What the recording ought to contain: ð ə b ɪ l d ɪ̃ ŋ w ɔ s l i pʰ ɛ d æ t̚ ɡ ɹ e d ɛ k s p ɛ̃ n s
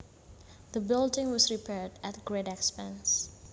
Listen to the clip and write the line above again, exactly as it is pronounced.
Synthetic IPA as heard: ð ə b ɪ l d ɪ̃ ŋ w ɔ s ɹ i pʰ ɛ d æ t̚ ɡ ɹ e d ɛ k s p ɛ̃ n s